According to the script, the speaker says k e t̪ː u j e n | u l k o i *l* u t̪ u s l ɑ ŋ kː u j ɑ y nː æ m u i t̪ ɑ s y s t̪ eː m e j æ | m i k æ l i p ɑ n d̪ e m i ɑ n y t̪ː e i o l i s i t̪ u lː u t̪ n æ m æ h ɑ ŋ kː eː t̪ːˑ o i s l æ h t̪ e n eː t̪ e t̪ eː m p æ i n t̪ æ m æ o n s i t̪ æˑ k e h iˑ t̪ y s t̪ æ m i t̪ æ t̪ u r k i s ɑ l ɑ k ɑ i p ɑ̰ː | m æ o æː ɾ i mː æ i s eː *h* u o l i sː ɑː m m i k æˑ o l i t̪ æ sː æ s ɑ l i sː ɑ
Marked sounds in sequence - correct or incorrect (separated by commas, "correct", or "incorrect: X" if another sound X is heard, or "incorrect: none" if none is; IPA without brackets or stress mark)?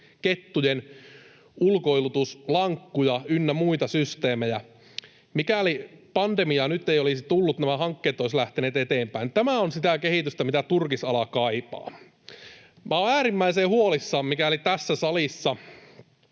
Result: correct, correct